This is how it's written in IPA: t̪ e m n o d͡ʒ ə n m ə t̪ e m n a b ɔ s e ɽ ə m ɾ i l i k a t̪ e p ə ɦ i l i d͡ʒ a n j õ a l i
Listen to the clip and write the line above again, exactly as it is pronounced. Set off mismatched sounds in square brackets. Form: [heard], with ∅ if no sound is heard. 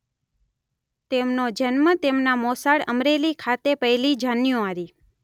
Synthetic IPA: t̪ e m n o d͡ʒ ə n m ə t̪ e m n a [m] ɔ s [a] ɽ ə m ɾ [e] l i [kʰ] a t̪ e p ə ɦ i l i d͡ʒ a n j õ a [ɾ] i